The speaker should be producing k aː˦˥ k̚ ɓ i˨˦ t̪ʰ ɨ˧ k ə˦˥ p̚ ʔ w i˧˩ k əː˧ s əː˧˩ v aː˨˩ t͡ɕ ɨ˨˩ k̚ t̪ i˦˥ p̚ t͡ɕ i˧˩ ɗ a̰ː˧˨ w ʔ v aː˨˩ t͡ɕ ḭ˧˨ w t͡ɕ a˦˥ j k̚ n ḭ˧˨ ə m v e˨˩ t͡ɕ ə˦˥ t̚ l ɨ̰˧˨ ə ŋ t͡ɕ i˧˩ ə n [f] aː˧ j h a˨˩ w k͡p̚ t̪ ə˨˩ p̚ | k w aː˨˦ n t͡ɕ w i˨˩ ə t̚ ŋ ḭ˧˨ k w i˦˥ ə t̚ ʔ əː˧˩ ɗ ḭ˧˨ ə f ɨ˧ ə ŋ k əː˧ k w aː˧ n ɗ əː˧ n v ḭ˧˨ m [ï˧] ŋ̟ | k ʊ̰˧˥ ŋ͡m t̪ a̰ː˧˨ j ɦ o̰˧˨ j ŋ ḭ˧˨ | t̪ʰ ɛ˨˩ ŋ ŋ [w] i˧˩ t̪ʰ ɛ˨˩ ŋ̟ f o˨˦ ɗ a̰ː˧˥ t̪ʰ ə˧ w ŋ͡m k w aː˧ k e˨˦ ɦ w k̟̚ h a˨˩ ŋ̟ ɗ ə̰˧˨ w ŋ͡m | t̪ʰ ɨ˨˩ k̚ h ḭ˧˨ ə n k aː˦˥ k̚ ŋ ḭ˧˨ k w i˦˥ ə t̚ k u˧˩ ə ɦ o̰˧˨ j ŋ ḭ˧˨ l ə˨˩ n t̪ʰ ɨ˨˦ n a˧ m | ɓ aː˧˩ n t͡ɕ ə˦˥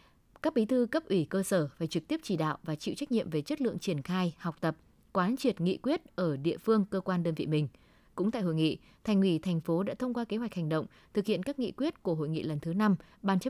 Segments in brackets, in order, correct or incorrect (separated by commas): incorrect, incorrect, correct